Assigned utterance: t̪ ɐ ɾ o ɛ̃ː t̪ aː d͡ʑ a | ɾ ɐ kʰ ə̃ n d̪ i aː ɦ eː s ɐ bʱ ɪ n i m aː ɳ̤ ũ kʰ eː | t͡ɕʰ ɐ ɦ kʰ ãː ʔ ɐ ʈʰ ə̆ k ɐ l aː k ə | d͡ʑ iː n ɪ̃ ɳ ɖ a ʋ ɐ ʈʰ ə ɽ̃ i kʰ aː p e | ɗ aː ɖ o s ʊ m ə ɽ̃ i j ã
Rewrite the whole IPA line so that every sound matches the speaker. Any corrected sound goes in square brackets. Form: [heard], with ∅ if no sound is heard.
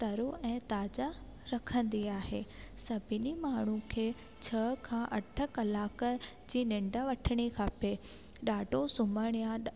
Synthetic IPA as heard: t̪ ɐ ɾ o ɛ̃ː t̪ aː d͡ʑ a | ɾ ɐ kʰ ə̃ n d̪ i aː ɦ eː s ɐ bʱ ɪ n i m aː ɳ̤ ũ kʰ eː | t͡ɕʰ ɐ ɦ kʰ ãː ʔ ɐ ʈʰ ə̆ k ɐ l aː k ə | d͡ʑ iː n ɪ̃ ɳ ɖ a ʋ ɐ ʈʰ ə ɽ̃ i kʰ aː p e | ɗ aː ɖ o s ʊ m ə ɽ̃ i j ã